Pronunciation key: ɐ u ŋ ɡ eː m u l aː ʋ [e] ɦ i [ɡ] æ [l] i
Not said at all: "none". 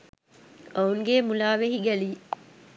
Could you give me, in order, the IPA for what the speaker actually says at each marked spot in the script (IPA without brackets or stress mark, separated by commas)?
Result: e, ɡ, l